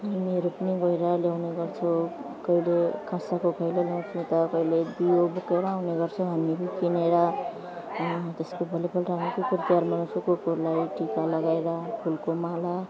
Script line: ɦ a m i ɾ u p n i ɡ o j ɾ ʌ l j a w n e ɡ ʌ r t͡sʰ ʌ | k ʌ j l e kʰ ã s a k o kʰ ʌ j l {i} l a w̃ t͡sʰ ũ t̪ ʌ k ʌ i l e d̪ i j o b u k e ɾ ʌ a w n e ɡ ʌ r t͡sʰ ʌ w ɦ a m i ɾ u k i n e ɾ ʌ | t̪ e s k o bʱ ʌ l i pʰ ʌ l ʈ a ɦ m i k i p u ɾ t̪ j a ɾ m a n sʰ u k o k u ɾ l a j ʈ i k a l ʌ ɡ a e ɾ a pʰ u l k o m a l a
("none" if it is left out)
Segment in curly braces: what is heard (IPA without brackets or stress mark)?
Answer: e